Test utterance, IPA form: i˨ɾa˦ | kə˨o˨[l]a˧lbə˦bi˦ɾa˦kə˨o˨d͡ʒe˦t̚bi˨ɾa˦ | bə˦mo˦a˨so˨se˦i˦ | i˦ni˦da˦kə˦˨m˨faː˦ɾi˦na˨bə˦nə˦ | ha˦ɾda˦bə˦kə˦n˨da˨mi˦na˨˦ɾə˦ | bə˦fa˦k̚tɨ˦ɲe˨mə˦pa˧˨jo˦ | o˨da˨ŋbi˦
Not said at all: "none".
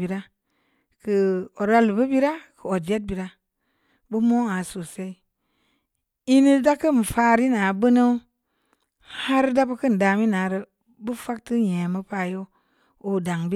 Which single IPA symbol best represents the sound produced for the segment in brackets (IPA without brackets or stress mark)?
ɾ